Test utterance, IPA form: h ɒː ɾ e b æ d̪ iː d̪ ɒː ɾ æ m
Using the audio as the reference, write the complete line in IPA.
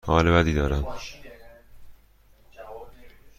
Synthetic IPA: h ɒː l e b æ d̪ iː d̪ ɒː ɾ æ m